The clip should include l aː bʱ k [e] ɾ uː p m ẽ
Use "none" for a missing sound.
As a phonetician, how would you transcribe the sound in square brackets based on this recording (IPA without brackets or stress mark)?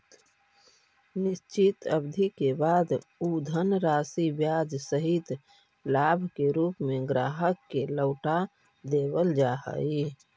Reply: e